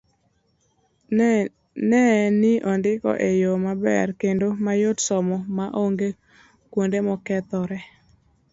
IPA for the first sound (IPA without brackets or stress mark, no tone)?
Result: n